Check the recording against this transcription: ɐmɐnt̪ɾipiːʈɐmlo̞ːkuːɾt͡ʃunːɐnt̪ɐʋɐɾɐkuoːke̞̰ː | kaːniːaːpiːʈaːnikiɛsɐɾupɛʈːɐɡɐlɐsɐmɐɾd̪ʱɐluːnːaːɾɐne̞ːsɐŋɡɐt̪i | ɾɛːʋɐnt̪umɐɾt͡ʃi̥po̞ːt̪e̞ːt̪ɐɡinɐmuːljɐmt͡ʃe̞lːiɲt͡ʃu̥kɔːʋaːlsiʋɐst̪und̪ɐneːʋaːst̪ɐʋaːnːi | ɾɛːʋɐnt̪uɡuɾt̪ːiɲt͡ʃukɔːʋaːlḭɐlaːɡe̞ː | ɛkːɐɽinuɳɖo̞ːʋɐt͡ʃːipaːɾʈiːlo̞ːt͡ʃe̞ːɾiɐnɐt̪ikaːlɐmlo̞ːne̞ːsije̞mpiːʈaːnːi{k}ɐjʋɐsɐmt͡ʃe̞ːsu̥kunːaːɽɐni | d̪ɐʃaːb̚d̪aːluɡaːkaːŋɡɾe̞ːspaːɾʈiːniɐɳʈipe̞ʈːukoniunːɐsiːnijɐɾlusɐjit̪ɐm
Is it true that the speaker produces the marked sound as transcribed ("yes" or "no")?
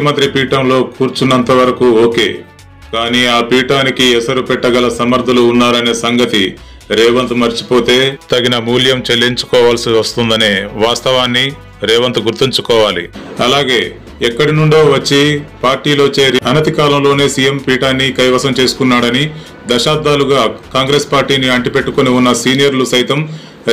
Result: yes